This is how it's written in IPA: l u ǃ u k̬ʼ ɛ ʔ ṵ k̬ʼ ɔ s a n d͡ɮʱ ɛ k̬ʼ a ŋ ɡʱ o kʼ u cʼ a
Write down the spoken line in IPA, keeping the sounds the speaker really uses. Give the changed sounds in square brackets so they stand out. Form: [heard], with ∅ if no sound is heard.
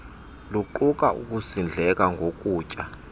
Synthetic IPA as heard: l u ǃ u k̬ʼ [a] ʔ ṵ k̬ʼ [u] s [i] n d͡ɮʱ ɛ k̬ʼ a ŋ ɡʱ o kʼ [uː] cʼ a